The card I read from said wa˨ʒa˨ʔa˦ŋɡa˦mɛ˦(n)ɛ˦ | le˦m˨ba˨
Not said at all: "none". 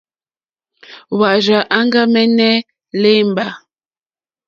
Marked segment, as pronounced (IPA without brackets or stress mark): n